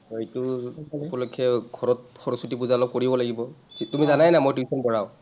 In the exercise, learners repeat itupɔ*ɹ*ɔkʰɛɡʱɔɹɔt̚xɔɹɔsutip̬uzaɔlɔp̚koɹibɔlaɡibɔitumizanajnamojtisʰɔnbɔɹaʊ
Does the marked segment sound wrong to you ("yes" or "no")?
yes